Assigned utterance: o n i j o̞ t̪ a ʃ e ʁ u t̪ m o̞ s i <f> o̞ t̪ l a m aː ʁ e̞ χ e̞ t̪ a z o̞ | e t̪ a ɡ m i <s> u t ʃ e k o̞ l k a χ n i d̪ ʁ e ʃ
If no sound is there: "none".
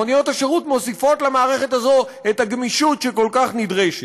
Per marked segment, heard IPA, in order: f, ʃ

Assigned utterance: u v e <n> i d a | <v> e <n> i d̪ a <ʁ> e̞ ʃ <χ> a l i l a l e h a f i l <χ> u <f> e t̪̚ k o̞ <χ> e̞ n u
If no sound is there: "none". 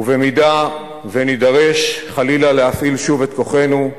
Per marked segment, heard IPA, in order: m, v, n, ʁ, χ, ʃ, v, χ

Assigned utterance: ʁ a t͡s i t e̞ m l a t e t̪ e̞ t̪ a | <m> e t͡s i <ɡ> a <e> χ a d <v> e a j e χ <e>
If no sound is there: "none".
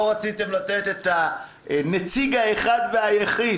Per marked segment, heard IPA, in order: n, ɡ, e, v, i

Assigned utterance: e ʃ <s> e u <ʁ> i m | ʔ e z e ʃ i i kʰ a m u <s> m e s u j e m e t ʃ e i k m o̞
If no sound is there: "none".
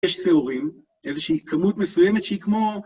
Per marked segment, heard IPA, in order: s, ʁ, t

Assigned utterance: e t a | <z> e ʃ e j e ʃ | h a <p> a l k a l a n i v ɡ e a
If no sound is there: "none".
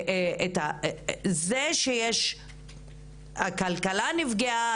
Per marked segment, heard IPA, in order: z, k

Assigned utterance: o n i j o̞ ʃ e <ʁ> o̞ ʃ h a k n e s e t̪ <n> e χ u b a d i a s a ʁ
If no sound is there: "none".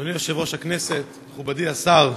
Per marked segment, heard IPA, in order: v, m

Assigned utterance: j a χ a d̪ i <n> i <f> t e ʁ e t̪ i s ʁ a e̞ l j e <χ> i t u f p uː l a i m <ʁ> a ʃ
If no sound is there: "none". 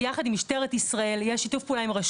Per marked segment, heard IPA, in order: m, ʃ, ʃ, ʁ

